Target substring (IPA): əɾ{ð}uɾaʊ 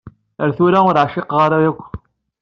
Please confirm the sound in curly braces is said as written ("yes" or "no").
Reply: no